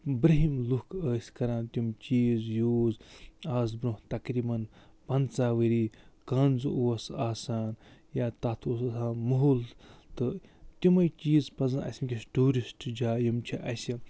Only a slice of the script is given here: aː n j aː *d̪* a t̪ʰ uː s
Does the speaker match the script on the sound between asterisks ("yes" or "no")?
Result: no